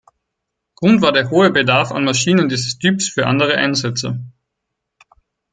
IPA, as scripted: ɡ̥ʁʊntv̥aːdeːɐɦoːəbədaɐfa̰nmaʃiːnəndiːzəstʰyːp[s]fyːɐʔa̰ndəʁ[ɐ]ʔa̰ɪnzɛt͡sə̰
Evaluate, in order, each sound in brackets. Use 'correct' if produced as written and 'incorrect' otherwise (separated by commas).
correct, incorrect